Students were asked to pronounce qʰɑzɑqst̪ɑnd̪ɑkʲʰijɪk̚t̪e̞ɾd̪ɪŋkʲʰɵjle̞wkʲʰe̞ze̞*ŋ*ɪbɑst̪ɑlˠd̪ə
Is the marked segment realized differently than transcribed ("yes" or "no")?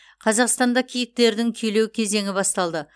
no